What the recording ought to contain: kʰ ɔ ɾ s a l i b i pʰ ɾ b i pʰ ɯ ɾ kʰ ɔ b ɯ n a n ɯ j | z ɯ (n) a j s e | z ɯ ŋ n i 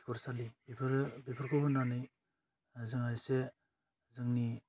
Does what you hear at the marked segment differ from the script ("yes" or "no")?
yes